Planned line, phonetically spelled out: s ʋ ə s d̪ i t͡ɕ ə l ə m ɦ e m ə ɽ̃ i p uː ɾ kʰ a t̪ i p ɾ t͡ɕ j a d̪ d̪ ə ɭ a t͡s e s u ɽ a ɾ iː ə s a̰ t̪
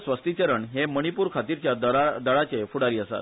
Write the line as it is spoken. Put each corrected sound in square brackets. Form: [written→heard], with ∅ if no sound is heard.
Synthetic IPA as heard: s ʋ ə s [d̪→t̪] i t͡ɕ ə [l→ɾ] ə [m→ɳ] ɦ e m ə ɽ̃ i p uː ɾ kʰ a t̪ i [p→∅] ɾ t͡ɕ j a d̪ d̪ ə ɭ a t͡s e [s→f] u ɽ a ɾ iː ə s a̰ t̪